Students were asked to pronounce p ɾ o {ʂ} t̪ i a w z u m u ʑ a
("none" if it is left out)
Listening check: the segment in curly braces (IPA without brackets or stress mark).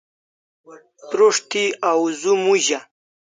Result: ʂ